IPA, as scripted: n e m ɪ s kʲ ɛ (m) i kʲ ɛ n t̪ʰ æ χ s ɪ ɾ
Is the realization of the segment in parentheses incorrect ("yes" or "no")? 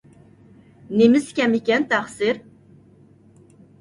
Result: no